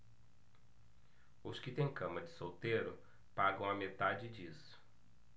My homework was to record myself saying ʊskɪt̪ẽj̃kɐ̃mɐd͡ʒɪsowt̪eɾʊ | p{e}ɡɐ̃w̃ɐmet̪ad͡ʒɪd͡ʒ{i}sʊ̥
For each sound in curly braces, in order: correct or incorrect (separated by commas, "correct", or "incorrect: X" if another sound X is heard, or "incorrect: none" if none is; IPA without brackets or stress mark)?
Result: incorrect: a, correct